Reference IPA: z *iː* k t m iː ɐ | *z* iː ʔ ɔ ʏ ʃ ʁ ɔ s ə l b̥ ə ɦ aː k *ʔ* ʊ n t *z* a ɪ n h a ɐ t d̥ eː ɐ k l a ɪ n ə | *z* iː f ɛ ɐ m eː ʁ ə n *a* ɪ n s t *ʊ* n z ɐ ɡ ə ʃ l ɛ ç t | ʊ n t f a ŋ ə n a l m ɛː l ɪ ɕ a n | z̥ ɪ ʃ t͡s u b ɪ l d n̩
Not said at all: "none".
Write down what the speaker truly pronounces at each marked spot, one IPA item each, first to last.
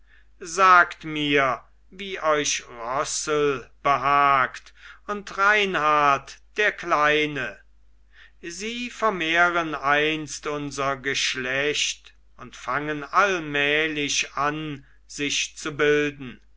aː, v, t, ʁ, z, a, ʊ

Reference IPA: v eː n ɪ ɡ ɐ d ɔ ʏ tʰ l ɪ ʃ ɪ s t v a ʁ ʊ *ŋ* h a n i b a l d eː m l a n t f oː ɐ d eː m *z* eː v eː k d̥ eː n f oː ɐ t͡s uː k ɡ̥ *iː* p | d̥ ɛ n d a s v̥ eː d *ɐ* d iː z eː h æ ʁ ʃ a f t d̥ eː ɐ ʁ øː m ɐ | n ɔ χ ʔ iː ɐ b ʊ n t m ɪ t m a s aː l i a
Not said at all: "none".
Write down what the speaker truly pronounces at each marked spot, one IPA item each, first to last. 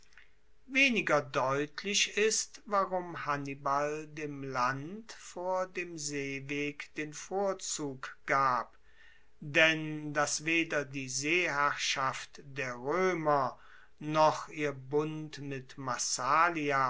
m, z, aː, ɐ

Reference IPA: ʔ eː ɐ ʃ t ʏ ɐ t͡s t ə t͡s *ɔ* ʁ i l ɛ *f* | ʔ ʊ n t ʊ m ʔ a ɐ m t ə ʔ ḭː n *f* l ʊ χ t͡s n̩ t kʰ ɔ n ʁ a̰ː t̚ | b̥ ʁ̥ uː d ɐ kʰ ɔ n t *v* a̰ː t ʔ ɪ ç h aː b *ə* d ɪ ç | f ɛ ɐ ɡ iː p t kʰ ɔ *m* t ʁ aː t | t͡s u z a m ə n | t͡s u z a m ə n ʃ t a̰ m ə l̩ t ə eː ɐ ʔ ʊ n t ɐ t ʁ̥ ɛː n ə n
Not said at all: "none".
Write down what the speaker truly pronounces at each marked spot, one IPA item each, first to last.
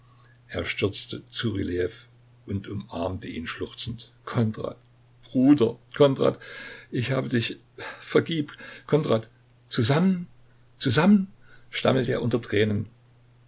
u, f, ʃ, ʁ, ə, n

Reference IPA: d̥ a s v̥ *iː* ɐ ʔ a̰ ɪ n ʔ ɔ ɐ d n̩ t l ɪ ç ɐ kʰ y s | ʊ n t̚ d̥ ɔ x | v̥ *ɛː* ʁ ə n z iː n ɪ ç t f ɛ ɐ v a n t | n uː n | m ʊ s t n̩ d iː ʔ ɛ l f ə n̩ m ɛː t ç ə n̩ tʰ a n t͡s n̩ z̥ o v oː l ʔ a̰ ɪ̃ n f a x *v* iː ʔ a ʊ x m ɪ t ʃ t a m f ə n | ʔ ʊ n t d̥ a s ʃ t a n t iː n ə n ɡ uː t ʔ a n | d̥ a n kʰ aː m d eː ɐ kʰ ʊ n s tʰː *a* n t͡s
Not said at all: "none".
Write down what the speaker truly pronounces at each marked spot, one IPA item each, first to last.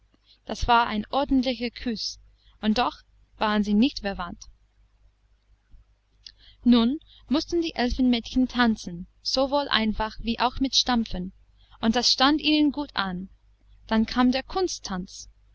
aː, aː, v, a

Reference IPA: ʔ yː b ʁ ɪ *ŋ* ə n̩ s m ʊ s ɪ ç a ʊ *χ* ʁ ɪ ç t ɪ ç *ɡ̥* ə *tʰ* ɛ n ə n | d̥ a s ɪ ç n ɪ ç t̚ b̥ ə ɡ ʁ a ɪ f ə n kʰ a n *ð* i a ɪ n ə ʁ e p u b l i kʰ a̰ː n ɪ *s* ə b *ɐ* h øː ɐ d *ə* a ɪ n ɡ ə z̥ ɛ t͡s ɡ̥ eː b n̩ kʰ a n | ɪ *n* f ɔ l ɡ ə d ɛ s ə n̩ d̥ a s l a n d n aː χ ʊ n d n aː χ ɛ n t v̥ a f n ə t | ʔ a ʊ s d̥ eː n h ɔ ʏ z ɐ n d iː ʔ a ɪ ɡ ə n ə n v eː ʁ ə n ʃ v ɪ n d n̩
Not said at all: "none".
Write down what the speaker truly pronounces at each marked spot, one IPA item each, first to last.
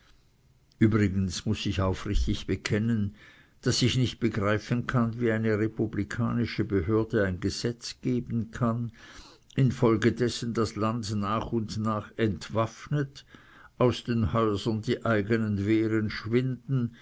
ɡ, f, b̥, kʰ, v, ʃ, ə, ə, n

